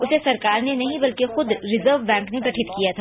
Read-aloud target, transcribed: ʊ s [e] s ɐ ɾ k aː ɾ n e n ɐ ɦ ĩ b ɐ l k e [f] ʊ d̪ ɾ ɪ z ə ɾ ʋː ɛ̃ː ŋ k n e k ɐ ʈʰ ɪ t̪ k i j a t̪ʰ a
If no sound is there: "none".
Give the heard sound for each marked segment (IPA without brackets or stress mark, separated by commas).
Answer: e, x